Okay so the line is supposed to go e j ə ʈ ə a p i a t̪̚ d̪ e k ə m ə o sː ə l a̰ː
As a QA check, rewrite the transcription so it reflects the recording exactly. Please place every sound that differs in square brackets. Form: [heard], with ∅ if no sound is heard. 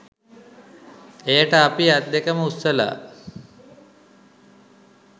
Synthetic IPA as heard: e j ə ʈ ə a p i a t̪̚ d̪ e k ə m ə [u] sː ə l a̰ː